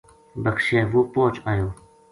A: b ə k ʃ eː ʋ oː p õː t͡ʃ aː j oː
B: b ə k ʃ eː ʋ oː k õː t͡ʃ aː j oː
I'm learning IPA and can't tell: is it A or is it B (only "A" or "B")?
A